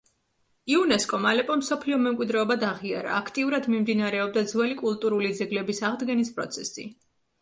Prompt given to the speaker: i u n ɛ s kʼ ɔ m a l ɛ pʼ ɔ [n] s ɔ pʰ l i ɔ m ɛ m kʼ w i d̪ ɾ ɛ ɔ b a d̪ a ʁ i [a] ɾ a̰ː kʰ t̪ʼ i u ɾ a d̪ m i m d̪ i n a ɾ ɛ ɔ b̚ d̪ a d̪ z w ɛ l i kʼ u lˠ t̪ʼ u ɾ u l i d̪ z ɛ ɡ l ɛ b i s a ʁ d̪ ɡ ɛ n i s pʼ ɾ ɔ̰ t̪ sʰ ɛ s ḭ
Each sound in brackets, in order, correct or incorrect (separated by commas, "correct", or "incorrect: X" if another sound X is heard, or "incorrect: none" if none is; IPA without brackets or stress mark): incorrect: m, correct